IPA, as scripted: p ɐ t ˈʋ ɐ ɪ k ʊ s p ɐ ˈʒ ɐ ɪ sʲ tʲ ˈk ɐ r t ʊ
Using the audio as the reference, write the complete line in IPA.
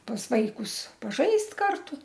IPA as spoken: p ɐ s ˈʋ ɐ ɪ k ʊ s p ɐ ˈʒ ɐ ɪ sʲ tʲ ˈk ɐ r t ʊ